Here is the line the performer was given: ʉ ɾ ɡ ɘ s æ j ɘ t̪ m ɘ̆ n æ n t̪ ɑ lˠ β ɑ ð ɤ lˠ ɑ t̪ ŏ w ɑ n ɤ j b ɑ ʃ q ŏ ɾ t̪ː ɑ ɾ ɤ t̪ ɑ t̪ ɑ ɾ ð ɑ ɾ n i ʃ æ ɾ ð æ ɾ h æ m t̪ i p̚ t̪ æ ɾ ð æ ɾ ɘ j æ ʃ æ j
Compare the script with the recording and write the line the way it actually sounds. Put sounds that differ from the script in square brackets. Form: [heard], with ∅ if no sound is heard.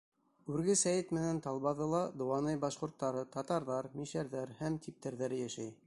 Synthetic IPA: ʉ ɾ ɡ ɘ s æ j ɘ t̪ m ɘ̆ n æ n t̪ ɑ lˠ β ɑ ð ɤ lˠ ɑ [d̪] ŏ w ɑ n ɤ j b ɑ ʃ q ŏ ɾ t̪ː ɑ ɾ ɤ t̪ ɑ t̪ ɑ ɾ ð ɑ ɾ [m] i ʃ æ ɾ ð æ ɾ h æ m t̪ i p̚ t̪ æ ɾ ð æ ɾ ɘ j æ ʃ æ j